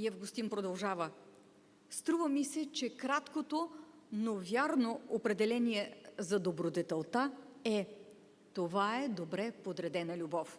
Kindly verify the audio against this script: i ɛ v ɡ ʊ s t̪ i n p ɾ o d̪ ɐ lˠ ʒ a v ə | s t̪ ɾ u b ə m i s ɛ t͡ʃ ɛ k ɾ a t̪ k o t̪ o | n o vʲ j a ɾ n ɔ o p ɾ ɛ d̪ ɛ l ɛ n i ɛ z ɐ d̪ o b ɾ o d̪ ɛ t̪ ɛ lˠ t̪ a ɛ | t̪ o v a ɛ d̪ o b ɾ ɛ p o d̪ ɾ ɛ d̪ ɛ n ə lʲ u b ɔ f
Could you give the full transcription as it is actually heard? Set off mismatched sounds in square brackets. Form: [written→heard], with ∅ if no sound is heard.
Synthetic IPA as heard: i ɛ v ɡ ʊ s t̪ i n p ɾ o d̪ ɐ lˠ ʒ a v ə | s t̪ ɾ u [b→v] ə m i s ɛ t͡ʃ ɛ k ɾ a t̪ k o t̪ o | n o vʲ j a ɾ n [ɔ→o] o p ɾ ɛ d̪ ɛ l ɛ n i ɛ z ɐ d̪ o b ɾ o d̪ ɛ t̪ ɛ lˠ t̪ a ɛ | t̪ o v a ɛ d̪ o b ɾ ɛ p o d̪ ɾ ɛ d̪ ɛ n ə lʲ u b ɔ f